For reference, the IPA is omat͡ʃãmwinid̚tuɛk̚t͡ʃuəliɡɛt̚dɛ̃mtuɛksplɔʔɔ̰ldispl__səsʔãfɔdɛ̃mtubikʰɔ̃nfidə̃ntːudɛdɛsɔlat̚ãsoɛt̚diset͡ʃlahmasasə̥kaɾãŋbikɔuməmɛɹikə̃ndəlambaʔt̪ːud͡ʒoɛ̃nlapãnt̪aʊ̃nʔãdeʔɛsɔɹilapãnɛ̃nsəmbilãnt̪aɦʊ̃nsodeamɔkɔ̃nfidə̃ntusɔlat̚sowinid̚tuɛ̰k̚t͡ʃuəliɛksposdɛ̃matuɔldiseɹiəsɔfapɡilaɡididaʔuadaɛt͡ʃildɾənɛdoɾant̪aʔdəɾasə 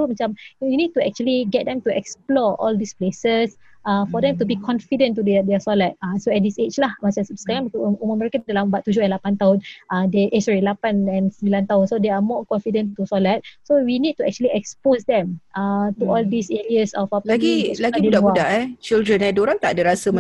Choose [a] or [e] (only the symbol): e